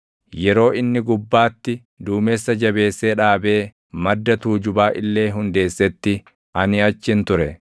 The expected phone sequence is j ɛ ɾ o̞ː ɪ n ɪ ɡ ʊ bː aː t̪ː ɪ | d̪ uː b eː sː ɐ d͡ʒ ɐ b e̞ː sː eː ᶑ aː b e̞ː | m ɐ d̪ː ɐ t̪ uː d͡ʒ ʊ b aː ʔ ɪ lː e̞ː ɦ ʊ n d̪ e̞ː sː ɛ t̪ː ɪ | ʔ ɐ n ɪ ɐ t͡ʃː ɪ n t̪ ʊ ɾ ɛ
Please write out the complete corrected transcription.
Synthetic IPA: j ɛ ɾ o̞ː ɪ nː ɪ ɡ ʊ bː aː t̪ː ɪ | d̪ uː m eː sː ɐ d͡ʒ ɐ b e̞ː sː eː ᶑ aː b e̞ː | m ɐ d̪ː ɐ t̪ uː d͡ʒ ʊ b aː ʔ ɪ lː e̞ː ɦ ʊ n d̪ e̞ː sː ɛ t̪ː ɪ | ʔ ɐ n ɪ ɐ t͡ʃː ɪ n t̪ ʊ ɾ ɛ